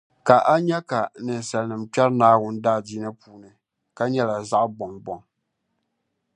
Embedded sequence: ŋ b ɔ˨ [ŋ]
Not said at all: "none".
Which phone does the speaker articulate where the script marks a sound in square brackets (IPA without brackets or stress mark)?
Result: ŋ